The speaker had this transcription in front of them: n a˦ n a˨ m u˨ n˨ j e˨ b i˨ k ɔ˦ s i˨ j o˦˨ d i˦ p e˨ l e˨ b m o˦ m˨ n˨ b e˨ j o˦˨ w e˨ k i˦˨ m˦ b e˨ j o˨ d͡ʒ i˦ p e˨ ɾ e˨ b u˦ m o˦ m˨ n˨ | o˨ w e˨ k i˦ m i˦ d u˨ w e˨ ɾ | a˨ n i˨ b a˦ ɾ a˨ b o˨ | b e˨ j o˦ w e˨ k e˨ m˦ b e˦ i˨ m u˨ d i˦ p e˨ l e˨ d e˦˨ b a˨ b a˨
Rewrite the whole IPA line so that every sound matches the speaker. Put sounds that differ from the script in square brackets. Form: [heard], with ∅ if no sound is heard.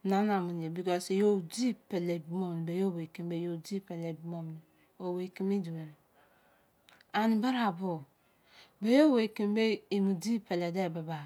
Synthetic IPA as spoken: n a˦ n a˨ m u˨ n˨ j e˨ b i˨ k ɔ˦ s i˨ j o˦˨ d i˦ p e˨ l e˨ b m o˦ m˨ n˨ b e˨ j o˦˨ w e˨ k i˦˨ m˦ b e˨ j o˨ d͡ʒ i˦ p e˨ [l] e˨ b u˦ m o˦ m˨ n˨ | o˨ w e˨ k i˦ m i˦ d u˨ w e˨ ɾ | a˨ n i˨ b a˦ ɾ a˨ b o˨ | b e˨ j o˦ w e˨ k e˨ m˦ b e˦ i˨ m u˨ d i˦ p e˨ l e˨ d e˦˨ b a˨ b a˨